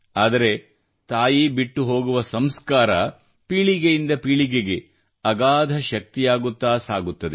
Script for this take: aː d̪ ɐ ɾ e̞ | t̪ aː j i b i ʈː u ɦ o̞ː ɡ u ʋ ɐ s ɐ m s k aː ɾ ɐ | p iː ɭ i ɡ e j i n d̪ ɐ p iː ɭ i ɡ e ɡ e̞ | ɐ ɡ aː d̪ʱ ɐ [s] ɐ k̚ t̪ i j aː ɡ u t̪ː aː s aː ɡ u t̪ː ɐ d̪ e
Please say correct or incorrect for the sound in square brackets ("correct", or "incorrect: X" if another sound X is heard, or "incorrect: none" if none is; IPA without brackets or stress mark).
incorrect: ʃ